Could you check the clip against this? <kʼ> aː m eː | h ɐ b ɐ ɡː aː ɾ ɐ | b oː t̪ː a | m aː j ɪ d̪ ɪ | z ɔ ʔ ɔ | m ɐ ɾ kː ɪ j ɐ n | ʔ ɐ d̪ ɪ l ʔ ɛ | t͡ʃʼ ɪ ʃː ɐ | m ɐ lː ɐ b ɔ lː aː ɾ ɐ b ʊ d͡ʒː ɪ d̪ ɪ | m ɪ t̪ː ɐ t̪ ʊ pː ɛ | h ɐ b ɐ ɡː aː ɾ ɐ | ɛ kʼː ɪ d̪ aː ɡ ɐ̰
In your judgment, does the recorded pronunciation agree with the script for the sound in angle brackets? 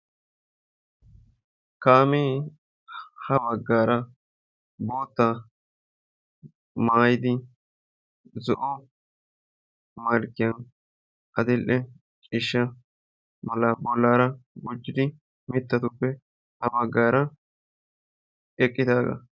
no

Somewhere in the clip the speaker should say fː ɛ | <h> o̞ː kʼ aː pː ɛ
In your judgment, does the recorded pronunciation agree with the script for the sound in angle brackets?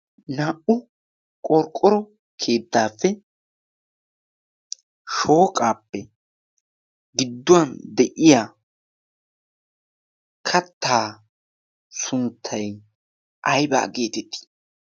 no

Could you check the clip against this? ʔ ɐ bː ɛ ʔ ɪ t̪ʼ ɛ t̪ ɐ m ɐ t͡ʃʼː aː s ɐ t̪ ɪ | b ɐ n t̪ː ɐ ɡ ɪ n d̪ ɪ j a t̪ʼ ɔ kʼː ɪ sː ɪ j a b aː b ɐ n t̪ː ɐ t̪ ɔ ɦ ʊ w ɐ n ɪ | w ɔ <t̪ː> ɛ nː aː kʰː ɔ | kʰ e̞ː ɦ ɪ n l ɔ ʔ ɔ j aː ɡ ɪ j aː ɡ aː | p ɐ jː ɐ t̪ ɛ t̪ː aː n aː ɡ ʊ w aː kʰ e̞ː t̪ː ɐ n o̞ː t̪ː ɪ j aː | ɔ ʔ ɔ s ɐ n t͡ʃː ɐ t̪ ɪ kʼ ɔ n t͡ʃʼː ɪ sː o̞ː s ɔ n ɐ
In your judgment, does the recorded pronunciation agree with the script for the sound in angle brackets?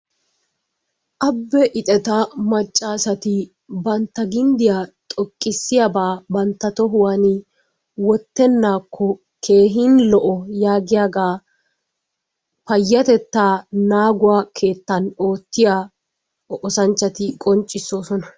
yes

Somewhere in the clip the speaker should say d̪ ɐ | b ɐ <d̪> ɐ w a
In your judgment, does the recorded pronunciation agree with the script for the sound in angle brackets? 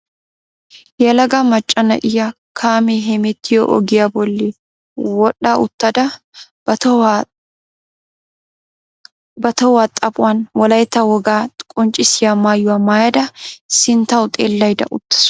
no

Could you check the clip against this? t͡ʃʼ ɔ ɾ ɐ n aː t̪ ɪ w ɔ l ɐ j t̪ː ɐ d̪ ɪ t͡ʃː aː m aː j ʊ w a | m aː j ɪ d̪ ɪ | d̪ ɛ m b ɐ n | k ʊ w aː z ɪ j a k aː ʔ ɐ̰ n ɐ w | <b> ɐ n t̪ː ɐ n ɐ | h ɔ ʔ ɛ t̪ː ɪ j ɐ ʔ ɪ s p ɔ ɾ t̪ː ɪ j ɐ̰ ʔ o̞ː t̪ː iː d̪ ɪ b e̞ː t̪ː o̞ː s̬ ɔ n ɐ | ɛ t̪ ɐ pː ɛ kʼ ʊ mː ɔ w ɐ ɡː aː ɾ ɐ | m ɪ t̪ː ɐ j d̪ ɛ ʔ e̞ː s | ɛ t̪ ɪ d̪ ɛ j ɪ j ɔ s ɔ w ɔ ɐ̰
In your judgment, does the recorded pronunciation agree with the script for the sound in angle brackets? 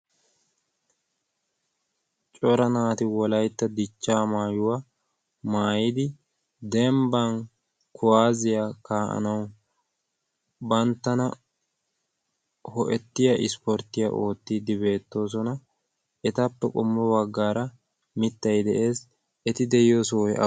yes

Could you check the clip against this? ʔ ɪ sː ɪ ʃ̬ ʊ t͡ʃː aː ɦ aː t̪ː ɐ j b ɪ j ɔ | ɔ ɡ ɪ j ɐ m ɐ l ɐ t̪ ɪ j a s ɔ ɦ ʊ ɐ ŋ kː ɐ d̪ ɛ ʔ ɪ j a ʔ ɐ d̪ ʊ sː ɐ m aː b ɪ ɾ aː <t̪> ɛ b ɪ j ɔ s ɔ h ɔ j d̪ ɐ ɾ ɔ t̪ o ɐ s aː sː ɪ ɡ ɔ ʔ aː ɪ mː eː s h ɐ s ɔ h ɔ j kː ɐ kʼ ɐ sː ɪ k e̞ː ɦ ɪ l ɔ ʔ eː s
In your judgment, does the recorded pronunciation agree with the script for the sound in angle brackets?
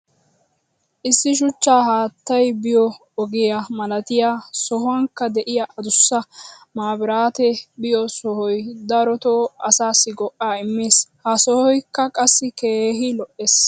yes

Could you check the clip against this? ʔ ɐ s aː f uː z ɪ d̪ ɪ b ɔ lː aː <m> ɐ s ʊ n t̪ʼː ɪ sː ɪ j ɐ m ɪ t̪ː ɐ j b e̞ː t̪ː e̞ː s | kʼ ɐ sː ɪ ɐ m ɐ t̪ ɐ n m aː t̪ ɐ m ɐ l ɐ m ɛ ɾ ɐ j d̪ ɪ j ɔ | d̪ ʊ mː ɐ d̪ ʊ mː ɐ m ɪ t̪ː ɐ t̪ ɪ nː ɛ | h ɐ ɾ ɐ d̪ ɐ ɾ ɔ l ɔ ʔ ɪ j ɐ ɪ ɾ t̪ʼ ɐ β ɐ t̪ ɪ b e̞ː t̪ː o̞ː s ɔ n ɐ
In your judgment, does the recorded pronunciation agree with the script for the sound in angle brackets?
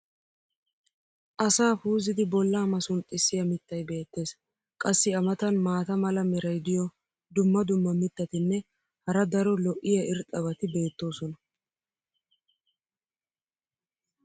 yes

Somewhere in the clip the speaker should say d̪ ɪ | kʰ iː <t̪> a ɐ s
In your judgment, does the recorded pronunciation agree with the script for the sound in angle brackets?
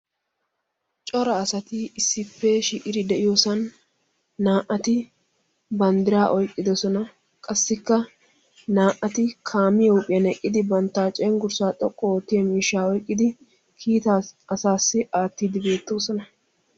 yes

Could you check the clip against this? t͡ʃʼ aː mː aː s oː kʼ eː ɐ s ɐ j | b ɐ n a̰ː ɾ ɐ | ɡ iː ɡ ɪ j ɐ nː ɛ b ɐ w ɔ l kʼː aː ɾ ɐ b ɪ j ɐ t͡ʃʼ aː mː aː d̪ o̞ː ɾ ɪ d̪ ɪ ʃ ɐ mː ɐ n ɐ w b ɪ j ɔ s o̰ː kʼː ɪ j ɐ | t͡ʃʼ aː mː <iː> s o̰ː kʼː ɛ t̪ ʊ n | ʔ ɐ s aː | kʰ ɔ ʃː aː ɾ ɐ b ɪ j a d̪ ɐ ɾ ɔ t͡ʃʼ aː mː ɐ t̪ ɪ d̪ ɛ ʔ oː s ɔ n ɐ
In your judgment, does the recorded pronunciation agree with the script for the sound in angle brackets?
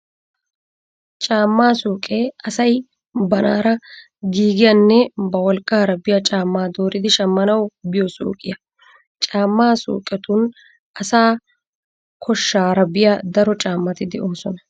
no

